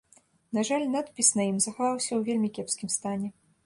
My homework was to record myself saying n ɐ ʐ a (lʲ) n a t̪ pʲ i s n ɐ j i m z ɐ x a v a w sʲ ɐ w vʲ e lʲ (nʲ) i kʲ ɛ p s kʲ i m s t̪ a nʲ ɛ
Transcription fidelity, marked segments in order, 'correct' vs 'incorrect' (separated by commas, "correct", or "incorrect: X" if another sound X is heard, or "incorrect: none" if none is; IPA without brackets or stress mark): correct, incorrect: mʲ